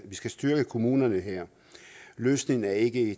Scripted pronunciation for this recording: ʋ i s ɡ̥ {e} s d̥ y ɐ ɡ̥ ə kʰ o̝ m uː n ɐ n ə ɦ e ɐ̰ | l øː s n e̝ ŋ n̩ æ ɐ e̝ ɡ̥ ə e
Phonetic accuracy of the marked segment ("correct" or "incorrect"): incorrect